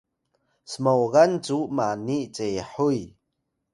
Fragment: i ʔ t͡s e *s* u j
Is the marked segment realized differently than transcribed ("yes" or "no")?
yes